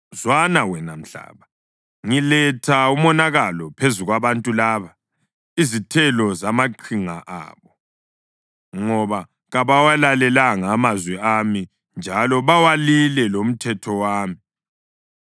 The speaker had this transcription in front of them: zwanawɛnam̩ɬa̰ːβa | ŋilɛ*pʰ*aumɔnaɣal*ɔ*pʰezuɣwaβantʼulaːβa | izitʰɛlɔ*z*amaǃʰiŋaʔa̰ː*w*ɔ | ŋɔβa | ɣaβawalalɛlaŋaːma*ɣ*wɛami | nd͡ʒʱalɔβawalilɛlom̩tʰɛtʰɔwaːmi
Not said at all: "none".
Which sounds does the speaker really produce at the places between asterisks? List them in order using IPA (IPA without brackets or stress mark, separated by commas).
tʰ, ɔ, z, β, z